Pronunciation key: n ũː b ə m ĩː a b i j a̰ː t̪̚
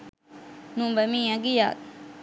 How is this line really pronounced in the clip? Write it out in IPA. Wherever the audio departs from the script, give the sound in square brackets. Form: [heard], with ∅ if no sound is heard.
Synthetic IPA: n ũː b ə m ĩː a [ɡ] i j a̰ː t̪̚